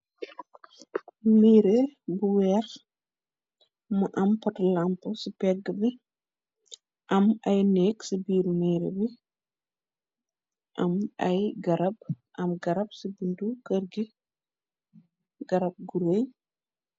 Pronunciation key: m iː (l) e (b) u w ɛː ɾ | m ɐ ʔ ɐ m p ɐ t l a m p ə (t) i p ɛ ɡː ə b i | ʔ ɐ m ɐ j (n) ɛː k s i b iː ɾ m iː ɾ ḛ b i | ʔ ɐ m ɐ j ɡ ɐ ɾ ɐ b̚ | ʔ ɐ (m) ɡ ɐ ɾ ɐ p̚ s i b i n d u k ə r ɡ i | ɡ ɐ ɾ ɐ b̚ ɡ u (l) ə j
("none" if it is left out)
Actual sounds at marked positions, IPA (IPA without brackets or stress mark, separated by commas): ɾ, b, s, n, m, ɾ